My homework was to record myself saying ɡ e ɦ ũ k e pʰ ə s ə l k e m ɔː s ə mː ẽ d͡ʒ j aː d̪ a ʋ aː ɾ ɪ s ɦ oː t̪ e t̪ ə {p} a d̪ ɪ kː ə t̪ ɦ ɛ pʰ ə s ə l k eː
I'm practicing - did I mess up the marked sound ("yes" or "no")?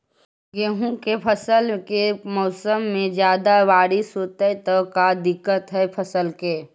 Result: yes